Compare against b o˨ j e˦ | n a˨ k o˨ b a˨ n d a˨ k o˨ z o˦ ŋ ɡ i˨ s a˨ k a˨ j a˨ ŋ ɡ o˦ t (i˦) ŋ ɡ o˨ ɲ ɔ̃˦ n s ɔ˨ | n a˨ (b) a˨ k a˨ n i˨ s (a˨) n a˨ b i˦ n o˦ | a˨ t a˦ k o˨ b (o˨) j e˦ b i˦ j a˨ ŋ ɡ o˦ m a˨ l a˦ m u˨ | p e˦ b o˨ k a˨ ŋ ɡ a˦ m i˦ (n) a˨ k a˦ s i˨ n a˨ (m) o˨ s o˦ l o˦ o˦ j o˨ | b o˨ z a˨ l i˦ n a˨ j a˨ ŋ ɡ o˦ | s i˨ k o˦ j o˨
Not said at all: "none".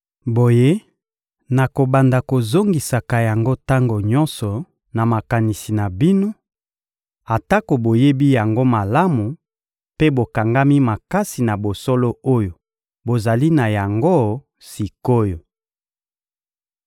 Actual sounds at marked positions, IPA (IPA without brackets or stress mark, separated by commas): a˦, m, i˨, o˨, m, b